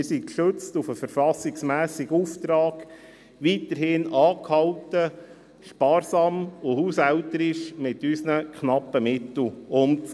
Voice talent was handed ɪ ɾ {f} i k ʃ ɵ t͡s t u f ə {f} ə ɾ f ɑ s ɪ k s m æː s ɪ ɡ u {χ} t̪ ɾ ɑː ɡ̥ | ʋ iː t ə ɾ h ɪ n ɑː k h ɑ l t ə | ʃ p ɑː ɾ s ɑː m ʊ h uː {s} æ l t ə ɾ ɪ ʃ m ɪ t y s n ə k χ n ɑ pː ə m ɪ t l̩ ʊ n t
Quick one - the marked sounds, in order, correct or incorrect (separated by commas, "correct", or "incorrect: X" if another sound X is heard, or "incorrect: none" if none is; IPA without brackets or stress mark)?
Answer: incorrect: s, correct, incorrect: f, correct